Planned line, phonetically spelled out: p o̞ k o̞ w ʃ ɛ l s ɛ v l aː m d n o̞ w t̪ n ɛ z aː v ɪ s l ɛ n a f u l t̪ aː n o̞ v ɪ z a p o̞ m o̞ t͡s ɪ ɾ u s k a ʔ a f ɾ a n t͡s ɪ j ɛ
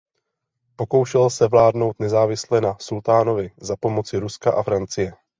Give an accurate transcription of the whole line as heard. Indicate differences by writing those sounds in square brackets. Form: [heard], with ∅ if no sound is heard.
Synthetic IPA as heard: p o̞ k o̞ w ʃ ɛ l s ɛ v l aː [∅] d n o̞ w t̪ n ɛ z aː v ɪ s l ɛ n a [s] u l t̪ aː n o̞ v ɪ z a p o̞ m o̞ t͡s ɪ ɾ u s k a ʔ a f ɾ a n t͡s ɪ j ɛ